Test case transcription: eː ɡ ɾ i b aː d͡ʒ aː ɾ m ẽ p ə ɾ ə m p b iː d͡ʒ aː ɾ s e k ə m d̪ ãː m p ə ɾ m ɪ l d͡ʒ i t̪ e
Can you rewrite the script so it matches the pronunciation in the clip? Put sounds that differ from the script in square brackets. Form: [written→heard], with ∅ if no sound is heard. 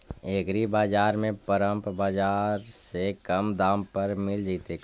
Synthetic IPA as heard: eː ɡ ɾ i b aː d͡ʒ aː ɾ m ẽ p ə ɾ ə m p b [iː→aː] d͡ʒ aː ɾ s e k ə m d̪ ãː m p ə ɾ m ɪ l d͡ʒ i t̪ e